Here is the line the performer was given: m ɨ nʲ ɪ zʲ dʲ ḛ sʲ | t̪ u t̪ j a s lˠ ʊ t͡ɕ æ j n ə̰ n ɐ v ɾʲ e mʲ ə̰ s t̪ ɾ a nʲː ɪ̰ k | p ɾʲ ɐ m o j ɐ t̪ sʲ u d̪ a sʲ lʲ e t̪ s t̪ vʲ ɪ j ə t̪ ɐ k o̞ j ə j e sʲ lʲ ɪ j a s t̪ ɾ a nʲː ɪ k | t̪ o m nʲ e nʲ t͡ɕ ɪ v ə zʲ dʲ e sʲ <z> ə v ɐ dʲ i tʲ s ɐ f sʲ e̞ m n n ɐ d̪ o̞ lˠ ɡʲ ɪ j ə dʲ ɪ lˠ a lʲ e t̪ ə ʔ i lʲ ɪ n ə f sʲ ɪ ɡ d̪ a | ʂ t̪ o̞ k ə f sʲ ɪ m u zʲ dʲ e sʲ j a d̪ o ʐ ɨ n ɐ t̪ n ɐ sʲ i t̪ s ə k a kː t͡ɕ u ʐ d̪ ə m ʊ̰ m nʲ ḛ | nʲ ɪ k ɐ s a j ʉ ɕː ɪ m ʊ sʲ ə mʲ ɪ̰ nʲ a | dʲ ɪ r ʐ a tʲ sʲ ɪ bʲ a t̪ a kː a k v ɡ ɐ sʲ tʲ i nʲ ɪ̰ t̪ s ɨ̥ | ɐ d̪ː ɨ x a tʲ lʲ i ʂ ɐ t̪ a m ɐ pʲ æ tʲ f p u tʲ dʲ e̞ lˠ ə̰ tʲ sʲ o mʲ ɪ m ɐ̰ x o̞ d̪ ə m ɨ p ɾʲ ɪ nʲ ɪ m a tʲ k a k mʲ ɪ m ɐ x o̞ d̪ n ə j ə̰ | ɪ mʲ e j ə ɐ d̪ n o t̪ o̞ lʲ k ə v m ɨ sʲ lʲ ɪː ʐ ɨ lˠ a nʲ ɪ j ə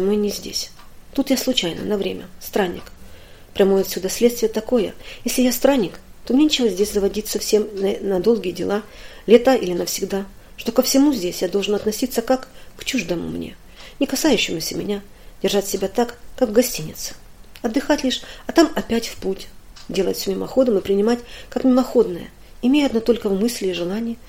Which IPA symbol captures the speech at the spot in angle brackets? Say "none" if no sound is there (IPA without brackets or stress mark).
z